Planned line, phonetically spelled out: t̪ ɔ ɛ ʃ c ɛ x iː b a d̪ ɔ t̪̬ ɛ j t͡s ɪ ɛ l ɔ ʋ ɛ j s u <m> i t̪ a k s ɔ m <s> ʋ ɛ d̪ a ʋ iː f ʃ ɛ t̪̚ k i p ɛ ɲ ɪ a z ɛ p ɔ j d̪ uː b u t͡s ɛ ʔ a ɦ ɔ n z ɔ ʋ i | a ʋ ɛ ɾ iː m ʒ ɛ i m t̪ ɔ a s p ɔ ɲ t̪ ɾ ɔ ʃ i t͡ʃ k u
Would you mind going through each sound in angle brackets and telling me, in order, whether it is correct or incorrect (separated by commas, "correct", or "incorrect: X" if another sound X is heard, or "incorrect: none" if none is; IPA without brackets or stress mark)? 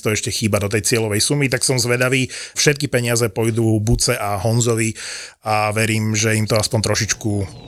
correct, incorrect: z